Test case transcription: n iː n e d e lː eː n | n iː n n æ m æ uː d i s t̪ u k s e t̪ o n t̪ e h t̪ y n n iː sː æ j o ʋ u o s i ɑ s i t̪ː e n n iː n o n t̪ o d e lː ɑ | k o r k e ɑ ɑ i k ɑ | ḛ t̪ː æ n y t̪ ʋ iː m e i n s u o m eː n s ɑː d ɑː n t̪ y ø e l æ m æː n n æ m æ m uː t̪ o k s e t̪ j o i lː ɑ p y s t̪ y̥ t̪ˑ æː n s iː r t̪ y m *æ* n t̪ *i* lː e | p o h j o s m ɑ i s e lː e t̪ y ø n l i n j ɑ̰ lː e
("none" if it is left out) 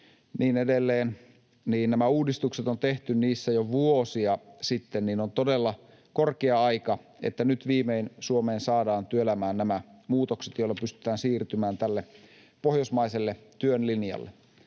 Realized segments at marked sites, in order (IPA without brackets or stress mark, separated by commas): æː, æ